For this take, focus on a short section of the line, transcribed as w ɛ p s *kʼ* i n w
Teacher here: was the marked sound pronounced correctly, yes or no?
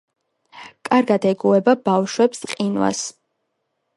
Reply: no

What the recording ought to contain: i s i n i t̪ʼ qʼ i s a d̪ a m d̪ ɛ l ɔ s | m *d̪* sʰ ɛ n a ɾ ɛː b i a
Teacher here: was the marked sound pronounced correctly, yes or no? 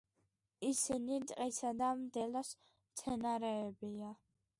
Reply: no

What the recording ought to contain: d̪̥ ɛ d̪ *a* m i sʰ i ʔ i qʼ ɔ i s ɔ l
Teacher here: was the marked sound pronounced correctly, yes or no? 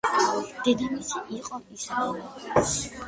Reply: no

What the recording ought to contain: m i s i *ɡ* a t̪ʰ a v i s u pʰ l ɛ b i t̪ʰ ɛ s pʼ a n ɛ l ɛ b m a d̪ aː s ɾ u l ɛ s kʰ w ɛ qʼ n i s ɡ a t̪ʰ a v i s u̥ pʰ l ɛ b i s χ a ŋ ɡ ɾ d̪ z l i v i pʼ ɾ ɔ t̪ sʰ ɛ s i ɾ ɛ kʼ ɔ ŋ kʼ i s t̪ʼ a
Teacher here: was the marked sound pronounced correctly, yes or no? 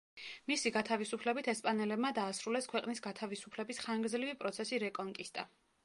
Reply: yes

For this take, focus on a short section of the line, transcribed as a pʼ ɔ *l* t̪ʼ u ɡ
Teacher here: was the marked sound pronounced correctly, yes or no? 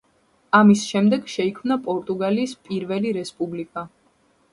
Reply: no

